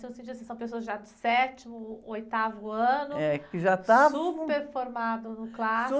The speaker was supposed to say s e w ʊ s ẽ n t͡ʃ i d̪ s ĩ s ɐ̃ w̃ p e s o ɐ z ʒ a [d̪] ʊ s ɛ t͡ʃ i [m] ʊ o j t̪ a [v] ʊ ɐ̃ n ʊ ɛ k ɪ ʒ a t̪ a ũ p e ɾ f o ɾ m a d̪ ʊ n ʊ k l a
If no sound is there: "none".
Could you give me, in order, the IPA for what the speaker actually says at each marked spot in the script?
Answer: d̪, m, v

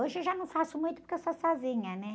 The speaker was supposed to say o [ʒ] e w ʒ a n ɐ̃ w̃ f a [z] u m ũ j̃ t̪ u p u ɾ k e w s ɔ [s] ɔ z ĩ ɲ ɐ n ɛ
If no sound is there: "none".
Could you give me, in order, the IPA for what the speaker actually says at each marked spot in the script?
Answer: ʒ, s, s

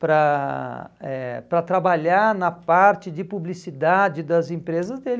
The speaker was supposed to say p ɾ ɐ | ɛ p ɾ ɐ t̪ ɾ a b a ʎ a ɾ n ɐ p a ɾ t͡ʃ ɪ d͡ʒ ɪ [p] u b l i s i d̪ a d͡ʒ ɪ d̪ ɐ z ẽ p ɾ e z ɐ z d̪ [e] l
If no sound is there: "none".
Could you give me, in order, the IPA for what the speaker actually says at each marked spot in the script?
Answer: p, e

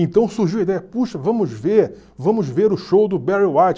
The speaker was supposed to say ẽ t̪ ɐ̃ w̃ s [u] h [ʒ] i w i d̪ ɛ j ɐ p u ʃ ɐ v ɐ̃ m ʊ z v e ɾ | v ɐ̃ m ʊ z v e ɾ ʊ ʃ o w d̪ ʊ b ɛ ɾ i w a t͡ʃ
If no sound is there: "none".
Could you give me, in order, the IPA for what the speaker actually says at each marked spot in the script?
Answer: u, ʒ

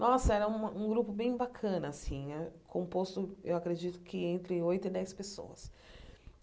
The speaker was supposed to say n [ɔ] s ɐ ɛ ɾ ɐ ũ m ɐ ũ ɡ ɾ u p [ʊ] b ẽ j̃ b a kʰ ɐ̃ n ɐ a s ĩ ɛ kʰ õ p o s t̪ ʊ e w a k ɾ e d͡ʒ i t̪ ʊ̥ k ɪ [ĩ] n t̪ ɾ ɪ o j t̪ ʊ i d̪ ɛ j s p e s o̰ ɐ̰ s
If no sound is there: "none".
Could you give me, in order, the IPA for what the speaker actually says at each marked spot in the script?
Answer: ɔ, ʊ, ẽ

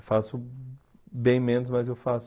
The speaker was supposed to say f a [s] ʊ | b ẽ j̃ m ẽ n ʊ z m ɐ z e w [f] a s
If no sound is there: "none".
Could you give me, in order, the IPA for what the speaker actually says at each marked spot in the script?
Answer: s, f

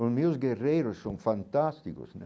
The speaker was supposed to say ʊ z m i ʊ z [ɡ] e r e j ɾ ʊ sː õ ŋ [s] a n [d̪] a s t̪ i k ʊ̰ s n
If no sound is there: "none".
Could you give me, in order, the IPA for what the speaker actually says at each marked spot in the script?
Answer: ɡ, f, t̪

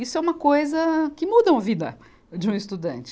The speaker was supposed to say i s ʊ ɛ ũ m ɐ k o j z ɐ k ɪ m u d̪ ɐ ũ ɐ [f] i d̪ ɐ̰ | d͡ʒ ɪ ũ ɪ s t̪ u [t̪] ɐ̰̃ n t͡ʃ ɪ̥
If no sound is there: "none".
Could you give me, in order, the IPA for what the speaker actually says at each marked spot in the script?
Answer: v, d̪

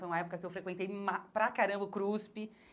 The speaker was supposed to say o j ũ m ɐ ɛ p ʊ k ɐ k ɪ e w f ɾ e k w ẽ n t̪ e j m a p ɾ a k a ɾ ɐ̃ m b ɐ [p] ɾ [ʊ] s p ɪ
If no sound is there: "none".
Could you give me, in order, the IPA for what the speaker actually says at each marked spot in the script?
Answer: k, u

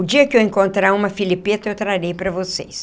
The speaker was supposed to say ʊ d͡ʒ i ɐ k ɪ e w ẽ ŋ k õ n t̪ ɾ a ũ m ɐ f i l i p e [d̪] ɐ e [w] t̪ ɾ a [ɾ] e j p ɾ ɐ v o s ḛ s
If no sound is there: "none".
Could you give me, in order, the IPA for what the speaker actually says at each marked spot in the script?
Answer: t̪, w, ɾ

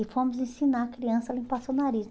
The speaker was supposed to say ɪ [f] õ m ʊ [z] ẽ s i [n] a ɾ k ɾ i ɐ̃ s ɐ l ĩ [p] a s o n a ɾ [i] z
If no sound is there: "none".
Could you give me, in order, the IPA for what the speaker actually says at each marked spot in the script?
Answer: f, z, n, p, i

